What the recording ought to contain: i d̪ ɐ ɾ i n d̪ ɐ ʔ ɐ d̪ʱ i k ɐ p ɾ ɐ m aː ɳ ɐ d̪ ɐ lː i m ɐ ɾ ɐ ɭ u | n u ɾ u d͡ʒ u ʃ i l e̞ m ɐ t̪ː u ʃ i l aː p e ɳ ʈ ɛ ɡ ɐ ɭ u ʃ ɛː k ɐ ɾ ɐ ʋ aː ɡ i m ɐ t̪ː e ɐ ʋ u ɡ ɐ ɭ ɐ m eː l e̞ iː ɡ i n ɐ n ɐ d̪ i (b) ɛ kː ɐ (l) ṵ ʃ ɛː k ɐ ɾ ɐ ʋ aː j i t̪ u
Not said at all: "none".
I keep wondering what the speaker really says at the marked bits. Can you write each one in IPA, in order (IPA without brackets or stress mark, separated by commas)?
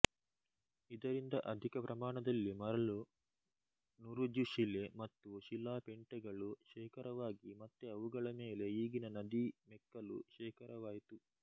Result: m, l